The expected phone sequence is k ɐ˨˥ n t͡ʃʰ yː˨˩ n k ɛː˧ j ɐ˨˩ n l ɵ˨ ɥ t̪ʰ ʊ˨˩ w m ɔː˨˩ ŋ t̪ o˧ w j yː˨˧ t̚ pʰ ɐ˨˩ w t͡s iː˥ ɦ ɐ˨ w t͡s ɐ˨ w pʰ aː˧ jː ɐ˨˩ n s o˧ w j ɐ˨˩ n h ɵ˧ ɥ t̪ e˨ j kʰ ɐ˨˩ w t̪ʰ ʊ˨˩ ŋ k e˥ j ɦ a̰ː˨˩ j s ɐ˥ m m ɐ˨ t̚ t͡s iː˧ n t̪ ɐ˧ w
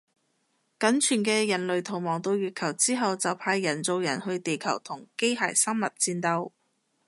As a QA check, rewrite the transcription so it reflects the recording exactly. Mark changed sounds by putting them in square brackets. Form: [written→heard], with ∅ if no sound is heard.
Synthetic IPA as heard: k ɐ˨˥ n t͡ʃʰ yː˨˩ n k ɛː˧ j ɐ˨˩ n l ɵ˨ ɥ t̪ʰ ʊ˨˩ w m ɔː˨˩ ŋ t̪ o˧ w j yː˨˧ t̚ [pʰ→kʰ] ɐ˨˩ w t͡s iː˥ ɦ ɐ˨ w t͡s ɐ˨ w pʰ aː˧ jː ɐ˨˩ n [s→t͡s] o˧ w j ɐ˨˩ n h ɵ˧ ɥ t̪ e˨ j kʰ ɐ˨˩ w t̪ʰ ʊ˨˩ ŋ k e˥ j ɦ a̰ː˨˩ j s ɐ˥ m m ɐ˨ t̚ t͡s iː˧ n t̪ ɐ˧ w